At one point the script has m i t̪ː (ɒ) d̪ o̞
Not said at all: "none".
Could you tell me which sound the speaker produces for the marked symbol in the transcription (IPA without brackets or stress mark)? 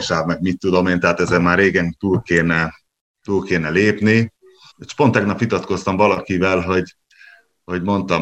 u